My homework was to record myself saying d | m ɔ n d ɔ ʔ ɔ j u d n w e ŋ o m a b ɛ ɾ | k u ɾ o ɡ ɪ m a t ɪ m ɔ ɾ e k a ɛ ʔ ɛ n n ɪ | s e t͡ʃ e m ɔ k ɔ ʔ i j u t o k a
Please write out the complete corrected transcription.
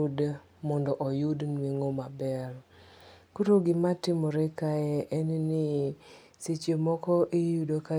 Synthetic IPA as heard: d | m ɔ n d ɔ ʔ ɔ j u d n w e ŋ o m a b ɛ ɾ | k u ɾ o ɡ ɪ m a t ɪ m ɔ ɾ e k a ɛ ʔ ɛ n n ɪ | s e t͡ʃ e m ɔ k ɔ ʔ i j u d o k a